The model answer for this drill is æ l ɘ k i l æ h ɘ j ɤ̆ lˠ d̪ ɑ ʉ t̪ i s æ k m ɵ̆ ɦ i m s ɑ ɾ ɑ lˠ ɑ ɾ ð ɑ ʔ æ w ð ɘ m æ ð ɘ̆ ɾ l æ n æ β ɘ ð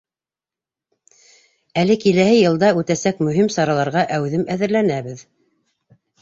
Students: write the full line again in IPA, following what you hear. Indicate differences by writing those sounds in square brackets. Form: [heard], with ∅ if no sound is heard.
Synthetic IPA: æ l ɘ k i l æ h ɘ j ɤ̆ lˠ d̪ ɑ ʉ t̪ [æ] s æ k m ɵ̆ ɦ i m s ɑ ɾ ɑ lˠ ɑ ɾ [ʁ] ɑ ʔ æ w ð ɘ m æ ð ɘ̆ ɾ l æ n æ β ɘ ð